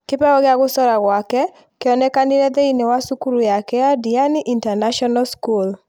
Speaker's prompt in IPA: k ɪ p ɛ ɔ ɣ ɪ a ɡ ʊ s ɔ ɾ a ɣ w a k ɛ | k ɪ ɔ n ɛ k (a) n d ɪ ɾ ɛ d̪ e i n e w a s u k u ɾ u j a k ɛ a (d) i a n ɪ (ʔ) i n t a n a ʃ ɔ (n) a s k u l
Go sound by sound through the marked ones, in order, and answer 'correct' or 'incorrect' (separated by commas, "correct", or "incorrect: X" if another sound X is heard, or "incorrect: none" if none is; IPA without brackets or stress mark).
correct, correct, correct, correct